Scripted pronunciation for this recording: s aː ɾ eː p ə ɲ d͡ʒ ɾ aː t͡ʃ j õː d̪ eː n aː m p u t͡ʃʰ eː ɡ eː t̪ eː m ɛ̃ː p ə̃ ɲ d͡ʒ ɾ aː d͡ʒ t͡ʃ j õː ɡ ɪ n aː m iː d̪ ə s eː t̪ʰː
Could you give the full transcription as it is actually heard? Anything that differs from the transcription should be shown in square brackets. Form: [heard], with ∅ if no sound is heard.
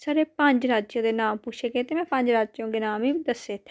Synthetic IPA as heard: s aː ɾ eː p ə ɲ d͡ʒ ɾ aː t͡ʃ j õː d̪ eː n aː m p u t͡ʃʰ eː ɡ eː t̪ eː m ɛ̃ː p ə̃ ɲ d͡ʒ ɾ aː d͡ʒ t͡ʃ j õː ɡ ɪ n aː m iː d̪ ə s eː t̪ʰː